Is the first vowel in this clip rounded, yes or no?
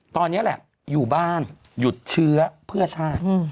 yes